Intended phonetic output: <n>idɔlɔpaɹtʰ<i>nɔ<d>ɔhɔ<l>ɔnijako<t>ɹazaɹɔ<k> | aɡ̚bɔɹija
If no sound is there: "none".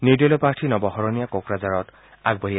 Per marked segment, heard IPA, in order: n, i, b, ɹ, k, t

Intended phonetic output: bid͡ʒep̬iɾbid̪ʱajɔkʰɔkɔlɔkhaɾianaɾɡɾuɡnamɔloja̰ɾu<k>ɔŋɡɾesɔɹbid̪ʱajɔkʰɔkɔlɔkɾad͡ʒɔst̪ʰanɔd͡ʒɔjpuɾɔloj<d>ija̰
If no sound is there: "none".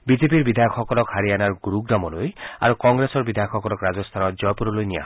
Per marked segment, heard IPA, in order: k, n

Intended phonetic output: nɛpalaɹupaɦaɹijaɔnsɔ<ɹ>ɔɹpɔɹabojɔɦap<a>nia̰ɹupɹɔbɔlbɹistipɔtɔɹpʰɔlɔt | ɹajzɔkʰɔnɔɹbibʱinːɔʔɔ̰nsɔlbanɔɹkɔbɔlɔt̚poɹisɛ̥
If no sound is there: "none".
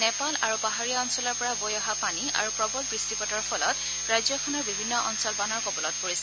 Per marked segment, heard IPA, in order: l, a

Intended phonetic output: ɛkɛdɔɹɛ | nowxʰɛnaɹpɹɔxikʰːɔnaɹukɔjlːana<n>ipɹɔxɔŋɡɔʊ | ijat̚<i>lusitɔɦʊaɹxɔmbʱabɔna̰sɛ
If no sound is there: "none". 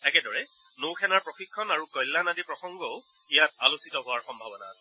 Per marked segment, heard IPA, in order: d, a

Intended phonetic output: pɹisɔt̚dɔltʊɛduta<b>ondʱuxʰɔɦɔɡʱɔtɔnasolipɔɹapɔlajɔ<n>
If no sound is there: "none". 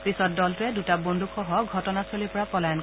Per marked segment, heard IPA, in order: b, n

